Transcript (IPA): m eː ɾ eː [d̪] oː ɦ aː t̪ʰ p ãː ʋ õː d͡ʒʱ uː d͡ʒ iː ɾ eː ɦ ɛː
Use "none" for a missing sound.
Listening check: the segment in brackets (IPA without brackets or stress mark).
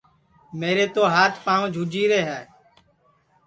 t̪